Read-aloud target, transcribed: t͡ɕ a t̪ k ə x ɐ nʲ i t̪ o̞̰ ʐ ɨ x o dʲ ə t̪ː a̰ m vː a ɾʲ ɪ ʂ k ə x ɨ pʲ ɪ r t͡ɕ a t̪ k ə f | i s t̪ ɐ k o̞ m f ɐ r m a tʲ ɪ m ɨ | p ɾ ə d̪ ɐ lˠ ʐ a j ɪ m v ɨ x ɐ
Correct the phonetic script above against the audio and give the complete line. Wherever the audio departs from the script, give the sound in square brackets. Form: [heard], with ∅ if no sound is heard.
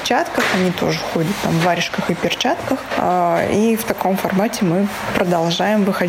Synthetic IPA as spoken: t͡ɕ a t̪ k ə x ɐ nʲ i t̪ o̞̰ ʐ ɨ x o dʲ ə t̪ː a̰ m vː a ɾʲ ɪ ʂ k ə x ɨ pʲ ɪ r t͡ɕ a t̪ k ə [x] | i [f] t̪ ɐ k o̞ m f ɐ r m a tʲ ɪ m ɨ | p ɾ ə d̪ ɐ lˠ ʐ a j ɪ m v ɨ x ɐ